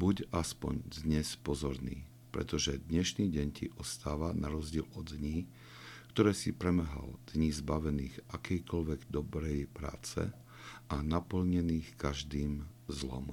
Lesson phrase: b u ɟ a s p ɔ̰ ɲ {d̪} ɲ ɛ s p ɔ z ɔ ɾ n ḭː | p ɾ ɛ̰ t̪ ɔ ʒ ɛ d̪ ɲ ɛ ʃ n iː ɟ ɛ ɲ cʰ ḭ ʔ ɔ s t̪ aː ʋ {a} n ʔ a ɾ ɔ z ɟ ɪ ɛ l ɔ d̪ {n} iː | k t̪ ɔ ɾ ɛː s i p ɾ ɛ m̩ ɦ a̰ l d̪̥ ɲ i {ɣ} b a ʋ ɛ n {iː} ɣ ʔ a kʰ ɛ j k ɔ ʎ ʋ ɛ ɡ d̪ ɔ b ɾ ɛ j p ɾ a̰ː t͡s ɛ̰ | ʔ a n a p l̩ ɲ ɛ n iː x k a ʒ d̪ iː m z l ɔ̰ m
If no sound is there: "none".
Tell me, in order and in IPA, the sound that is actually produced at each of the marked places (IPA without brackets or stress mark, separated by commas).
d̪, a, ɲ, z, iː